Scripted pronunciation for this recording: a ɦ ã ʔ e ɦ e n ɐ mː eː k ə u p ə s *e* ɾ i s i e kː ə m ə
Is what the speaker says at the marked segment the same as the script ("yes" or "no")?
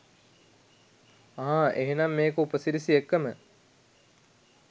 no